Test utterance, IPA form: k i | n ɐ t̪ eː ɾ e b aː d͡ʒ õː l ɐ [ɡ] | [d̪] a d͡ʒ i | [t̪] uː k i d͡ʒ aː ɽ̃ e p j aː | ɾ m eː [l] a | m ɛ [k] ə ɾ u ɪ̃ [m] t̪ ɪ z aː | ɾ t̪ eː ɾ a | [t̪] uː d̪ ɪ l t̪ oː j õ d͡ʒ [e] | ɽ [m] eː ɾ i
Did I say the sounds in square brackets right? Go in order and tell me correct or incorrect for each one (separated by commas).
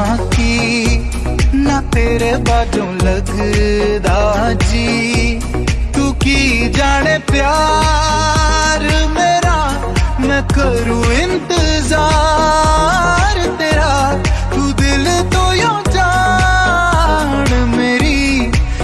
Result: correct, correct, correct, incorrect, correct, incorrect, correct, incorrect, correct